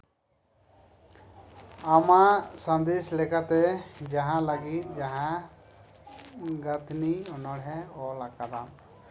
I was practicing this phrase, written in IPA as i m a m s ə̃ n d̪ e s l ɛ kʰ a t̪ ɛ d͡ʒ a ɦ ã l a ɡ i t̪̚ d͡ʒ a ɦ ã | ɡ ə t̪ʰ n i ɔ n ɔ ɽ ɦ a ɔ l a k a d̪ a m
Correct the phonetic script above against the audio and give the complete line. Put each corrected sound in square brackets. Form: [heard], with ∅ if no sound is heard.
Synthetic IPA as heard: [a] m a [∅] s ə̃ n d̪ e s l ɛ [k] a t̪ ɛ d͡ʒ a ɦ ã l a ɡ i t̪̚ d͡ʒ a ɦ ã | ɡ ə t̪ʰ n i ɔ n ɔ ɽ ɦ [ɛ] ɔ l a k a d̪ a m

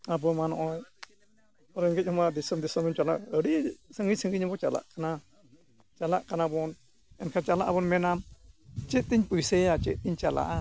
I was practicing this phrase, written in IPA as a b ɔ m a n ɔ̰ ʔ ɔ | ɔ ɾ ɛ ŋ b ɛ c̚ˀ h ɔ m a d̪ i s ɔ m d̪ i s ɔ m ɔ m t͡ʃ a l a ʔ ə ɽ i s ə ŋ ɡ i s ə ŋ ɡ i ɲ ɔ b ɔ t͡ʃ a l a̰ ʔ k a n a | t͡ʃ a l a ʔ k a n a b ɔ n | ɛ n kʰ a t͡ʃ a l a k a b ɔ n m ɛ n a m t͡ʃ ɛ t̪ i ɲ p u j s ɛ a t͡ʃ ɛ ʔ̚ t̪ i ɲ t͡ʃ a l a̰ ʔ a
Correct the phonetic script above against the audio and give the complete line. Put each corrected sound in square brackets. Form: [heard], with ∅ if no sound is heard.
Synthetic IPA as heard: a b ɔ m a n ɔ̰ ʔ ɔ | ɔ ɾ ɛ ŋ [ɡ] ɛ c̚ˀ h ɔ m a d̪ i s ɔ m d̪ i s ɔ m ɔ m t͡ʃ a l a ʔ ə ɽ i s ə ŋ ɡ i s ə ŋ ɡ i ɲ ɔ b ɔ t͡ʃ a l a̰ ʔ k a n a | t͡ʃ a l a ʔ k a n a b ɔ n | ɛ n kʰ a t͡ʃ a l a [ʔ] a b ɔ n m ɛ n a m t͡ʃ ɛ t̪ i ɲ p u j s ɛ a t͡ʃ ɛ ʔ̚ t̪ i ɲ t͡ʃ a l a̰ ʔ a

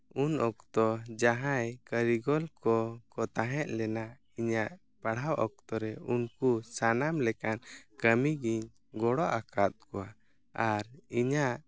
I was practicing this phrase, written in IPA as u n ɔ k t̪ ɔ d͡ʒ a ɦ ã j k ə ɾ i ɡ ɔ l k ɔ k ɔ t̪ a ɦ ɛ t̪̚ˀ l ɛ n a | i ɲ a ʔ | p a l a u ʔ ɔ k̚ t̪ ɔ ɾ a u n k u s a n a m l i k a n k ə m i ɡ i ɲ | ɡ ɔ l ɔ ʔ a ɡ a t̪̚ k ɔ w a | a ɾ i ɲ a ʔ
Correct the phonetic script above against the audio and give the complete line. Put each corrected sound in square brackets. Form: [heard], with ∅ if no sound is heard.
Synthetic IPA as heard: u n ɔ k t̪ ɔ d͡ʒ a ɦ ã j k ə ɾ i ɡ ɔ l k ɔ k ɔ t̪ a ɦ ɛ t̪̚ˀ l ɛ n a | i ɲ a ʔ | p a [ɽ] a [w] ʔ ɔ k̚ t̪ ɔ ɾ [ɛ] u n k u s a n a m l [ɛ] k a n k ə m i ɡ i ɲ | ɡ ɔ [ɽ] ɔ ʔ a [k] a t̪̚ k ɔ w a | a ɾ i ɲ a ʔ

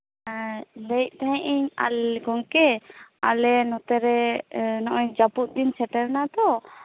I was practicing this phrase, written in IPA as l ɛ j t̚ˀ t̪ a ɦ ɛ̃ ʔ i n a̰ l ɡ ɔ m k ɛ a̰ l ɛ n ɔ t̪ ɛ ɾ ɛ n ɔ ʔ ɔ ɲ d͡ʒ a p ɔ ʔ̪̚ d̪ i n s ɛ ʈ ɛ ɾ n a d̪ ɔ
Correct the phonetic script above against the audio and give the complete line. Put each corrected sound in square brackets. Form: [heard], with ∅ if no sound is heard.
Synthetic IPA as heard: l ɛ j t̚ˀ t̪ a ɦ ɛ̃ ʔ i [ɲ] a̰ l ɡ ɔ [ŋ] k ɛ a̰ l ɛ n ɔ t̪ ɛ ɾ ɛ n ɔ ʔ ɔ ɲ d͡ʒ a p [u] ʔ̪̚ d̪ i n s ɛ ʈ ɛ ɾ n a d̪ ɔ

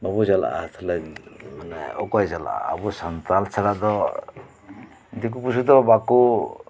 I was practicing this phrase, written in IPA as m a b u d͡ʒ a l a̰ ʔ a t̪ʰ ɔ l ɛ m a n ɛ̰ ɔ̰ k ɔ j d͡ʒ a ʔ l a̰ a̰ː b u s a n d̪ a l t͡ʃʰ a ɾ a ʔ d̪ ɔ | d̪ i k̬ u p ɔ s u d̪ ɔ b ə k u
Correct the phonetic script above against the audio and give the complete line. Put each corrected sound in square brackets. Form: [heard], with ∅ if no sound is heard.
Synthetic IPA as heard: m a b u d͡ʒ a l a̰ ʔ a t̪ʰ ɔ l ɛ m a n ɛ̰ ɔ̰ k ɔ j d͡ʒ a [∅] l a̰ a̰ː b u s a n [t̪] a l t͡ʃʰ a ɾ a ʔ d̪ ɔ | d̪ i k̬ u p [u] s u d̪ ɔ b [a] k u

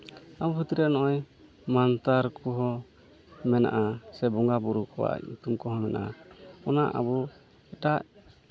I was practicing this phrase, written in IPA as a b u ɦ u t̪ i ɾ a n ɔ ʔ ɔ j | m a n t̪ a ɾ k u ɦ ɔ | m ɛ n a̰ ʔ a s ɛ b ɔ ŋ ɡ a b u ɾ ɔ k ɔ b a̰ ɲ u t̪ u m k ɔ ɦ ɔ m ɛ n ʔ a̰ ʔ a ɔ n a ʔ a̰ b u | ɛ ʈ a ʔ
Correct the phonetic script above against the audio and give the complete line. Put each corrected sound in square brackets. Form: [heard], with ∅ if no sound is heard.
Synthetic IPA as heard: a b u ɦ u t̪ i ɾ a n ɔ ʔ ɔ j | m a n t̪ a ɾ k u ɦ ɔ | m ɛ n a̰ ʔ a s ɛ b ɔ ŋ ɡ a b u ɾ [u] k ɔ [w] a̰ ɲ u t̪ u m k ɔ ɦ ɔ m ɛ n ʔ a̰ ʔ a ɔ n a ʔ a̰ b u | ɛ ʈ a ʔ

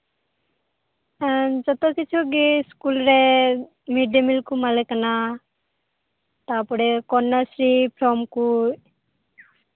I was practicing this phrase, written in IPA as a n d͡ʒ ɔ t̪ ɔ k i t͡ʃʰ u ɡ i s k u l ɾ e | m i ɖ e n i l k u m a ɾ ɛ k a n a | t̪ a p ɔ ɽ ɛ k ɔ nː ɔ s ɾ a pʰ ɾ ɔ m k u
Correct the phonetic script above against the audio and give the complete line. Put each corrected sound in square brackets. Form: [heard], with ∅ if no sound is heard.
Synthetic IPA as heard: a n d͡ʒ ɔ t̪ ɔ k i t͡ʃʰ u ɡ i s k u l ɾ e | m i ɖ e [m] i l k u m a [l] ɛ k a n a | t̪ a p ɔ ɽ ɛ k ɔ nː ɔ s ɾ [i] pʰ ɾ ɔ m k u

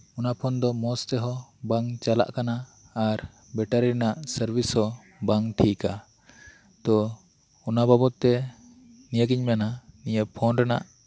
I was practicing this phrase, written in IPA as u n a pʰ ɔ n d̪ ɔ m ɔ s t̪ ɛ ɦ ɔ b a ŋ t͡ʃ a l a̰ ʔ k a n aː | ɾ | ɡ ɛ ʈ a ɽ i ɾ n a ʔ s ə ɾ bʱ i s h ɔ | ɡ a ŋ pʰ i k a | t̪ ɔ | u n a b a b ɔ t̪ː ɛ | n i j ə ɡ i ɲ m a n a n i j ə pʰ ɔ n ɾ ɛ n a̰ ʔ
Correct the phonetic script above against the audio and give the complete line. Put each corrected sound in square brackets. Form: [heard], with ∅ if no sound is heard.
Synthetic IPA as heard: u n a pʰ ɔ n d̪ ɔ m ɔ s t̪ ɛ ɦ ɔ b a ŋ t͡ʃ a l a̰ ʔ k a n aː | ɾ | [b] ɛ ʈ a [ɾ] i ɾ n a ʔ s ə ɾ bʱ i s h ɔ | [b] a ŋ [ʈʰ] i k a | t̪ ɔ | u n a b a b ɔ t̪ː ɛ | n i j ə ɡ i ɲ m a n a n i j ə pʰ ɔ n ɾ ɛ n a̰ ʔ

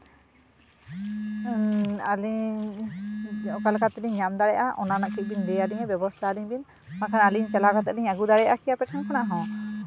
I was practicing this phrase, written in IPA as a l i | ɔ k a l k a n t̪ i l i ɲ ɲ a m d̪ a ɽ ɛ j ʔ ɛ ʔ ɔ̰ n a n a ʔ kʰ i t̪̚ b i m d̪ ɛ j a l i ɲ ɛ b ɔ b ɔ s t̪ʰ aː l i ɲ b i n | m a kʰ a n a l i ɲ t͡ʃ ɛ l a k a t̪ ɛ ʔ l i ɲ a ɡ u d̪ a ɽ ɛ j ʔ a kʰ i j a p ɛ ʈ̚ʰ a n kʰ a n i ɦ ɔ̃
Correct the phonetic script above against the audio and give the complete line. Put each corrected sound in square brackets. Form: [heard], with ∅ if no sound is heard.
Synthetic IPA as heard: a l i | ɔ k a l k a [∅] t̪ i l i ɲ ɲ a m d̪ a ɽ ɛ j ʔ [a] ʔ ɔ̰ n a n a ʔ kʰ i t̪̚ b i [n] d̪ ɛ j a l i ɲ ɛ b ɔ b ɔ s t̪ʰ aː l i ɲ b i n | m a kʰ a n a l i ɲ t͡ʃ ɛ l a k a t̪ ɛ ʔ l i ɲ a ɡ u d̪ a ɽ ɛ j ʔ a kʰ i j a p ɛ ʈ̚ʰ a n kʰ a n [a] ɦ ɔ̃

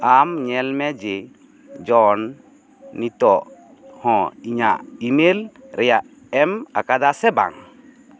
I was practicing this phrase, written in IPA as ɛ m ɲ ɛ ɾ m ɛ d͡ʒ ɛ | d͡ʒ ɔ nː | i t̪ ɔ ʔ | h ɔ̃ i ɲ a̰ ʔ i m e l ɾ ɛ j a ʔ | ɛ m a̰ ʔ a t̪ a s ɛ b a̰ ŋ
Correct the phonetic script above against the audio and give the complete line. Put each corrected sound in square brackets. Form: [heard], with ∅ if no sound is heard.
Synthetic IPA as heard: [a] m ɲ ɛ [l] m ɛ d͡ʒ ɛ | d͡ʒ ɔ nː | i t̪ ɔ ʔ | h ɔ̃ i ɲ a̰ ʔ i m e l ɾ ɛ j a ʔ | ɛ m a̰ [k] a [d̪] a s ɛ b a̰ ŋ

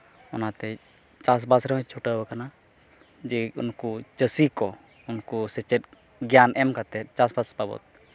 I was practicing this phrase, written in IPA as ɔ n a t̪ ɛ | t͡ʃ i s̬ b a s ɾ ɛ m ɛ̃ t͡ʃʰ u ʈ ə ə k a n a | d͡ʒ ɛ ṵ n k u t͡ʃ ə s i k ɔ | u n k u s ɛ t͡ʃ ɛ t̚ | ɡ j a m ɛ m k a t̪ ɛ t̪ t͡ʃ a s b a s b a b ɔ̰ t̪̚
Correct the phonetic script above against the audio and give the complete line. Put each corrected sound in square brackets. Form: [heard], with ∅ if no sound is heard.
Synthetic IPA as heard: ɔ n a t̪ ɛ | t͡ʃ [a] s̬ b a s ɾ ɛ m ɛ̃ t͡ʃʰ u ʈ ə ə k a n a | d͡ʒ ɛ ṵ n k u t͡ʃ ə s i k ɔ | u n k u s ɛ t͡ʃ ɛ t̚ | ɡ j a [n] ɛ m k a t̪ ɛ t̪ t͡ʃ a s b a s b a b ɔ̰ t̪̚

